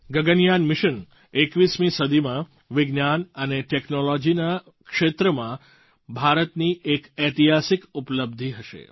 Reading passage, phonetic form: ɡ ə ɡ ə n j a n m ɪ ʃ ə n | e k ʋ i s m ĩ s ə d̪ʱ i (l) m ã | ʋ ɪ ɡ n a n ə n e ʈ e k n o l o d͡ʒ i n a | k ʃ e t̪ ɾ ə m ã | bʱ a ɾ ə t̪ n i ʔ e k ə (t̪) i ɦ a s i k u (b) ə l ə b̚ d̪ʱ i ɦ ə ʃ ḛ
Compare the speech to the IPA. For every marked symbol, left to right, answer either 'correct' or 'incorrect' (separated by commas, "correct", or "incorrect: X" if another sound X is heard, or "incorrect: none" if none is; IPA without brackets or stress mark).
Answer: incorrect: none, correct, incorrect: p